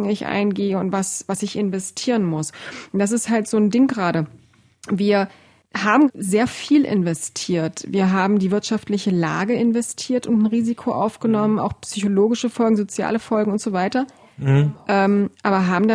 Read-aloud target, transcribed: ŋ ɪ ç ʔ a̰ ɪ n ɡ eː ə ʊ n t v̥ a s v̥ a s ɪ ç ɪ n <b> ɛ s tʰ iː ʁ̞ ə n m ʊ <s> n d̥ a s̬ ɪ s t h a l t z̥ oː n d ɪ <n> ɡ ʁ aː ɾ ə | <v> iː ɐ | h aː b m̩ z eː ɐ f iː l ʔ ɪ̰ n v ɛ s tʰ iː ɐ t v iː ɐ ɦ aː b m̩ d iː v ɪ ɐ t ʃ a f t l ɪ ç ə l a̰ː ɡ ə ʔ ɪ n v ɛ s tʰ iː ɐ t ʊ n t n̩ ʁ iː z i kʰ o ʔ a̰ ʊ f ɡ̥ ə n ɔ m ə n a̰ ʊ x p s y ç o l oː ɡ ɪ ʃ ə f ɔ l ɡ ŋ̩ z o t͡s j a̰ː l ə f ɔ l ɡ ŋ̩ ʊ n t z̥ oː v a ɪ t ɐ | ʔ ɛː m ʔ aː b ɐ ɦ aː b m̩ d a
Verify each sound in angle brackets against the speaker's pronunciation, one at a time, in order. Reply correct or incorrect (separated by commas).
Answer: incorrect, correct, incorrect, correct